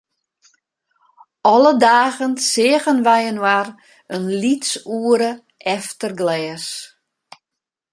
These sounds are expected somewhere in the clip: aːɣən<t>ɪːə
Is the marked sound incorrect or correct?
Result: incorrect